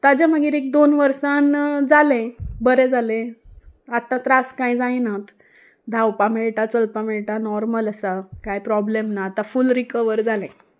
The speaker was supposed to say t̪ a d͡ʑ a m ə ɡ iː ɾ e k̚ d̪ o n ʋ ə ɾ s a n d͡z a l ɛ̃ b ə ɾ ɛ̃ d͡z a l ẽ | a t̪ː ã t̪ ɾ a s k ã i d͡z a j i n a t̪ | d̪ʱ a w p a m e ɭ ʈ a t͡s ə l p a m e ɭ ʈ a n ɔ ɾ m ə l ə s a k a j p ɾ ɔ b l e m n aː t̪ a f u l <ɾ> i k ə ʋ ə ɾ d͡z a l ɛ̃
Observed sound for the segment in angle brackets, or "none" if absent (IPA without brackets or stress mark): ɾ